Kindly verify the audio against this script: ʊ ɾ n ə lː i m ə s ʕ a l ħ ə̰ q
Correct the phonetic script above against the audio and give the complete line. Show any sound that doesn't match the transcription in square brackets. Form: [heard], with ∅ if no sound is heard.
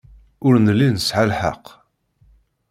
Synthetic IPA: ʊ ɾ n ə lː i [n] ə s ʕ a l ħ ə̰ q